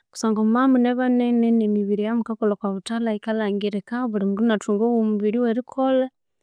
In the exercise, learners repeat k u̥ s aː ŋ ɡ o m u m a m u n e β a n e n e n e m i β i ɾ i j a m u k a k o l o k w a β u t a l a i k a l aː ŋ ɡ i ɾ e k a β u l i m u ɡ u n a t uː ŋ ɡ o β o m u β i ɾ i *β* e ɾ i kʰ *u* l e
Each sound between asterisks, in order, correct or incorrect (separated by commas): incorrect, incorrect